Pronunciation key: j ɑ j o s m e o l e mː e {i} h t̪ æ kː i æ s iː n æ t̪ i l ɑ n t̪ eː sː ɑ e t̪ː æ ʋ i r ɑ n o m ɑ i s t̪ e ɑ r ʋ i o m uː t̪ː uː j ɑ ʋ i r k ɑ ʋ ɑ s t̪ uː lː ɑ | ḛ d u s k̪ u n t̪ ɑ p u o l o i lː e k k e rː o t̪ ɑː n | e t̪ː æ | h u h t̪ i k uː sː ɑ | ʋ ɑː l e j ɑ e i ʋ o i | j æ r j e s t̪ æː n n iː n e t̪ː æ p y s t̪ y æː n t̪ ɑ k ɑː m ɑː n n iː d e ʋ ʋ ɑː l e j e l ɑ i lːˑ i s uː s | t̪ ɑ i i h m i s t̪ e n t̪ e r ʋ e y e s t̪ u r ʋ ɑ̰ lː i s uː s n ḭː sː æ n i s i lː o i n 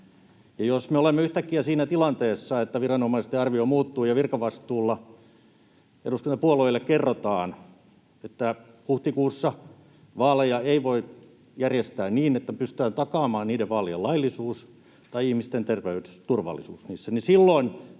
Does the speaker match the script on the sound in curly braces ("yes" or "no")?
no